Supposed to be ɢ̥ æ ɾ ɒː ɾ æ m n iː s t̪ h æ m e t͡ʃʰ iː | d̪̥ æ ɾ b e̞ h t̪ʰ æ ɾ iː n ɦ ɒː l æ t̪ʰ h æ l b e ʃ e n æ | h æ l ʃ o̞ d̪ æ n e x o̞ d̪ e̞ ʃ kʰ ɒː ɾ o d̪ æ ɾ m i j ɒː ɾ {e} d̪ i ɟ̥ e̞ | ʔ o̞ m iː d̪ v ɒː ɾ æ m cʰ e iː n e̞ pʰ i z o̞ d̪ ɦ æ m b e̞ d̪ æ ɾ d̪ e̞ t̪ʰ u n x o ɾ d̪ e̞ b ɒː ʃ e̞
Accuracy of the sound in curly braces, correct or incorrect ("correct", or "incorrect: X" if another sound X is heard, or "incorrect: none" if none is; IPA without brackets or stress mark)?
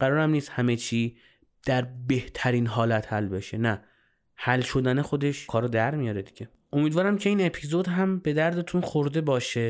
correct